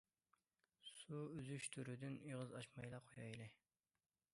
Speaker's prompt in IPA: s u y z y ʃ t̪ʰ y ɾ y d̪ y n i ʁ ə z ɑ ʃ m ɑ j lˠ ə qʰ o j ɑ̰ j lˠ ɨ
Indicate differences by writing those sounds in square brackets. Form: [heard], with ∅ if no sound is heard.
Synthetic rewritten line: s u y z y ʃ t̪ʰ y ɾ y d̪ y n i ʁ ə z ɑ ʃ m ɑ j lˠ [ɑ] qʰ o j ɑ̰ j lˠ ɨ

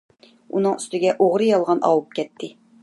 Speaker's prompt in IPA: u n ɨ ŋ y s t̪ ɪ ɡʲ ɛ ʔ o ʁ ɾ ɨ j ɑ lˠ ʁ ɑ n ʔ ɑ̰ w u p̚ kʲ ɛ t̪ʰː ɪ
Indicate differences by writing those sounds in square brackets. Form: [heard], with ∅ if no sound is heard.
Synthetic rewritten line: u n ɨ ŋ y s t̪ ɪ ɡʲ ɛ ʔ o ʁ ɾ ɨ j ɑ lˠ ʁ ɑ n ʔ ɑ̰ w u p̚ kʲ ɛ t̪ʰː ɪ

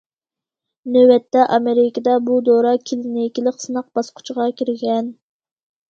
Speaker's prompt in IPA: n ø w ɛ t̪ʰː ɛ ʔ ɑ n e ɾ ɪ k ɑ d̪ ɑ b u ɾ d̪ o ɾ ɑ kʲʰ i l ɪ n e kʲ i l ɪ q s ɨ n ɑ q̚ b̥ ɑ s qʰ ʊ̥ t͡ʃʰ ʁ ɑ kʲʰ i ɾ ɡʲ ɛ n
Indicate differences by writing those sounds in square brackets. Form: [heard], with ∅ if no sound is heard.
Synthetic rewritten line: n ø w ɛ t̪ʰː ɛ ʔ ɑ [m] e ɾ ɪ k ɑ d̪ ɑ b u [∅] d̪ o ɾ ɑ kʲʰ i l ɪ n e kʲ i l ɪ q s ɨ n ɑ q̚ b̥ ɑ s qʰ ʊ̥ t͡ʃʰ ʁ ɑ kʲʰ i ɾ ɡʲ ɛ n

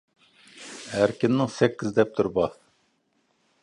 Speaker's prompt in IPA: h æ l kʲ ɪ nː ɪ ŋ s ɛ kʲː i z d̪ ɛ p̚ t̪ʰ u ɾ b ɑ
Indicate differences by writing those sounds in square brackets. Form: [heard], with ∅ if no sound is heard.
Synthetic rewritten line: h æ [ɾ] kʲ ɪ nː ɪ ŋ s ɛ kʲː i z d̪ ɛ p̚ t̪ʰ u ɾ b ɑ

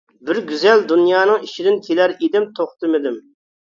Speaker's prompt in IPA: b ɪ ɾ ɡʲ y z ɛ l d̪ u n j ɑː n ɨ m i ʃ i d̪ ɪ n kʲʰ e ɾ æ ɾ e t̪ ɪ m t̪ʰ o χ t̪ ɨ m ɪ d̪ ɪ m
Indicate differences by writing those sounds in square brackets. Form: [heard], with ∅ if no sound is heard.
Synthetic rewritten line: b ɪ ɾ ɡʲ y z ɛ l d̪ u n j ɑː n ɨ [ŋ] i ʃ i d̪ ɪ n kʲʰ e [l] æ ɾ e [d̪] ɪ m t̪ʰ o χ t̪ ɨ m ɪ d̪ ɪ m

